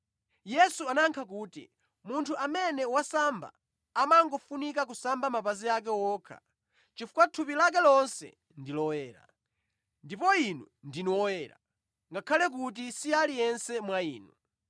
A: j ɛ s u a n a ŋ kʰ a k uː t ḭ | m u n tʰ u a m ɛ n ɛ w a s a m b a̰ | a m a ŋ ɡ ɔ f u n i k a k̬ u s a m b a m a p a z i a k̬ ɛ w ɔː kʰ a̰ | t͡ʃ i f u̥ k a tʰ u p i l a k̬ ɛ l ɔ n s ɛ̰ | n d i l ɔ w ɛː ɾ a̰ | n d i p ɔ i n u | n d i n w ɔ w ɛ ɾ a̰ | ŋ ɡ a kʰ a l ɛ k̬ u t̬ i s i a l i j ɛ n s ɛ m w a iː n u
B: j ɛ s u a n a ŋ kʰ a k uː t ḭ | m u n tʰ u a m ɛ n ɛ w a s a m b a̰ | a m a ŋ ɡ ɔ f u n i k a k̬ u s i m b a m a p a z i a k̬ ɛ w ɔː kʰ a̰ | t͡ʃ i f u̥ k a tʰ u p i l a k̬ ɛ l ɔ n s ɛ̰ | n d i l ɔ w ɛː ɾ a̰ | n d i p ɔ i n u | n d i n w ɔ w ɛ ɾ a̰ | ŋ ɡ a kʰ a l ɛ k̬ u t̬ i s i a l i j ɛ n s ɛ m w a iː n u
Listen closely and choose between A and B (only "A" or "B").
A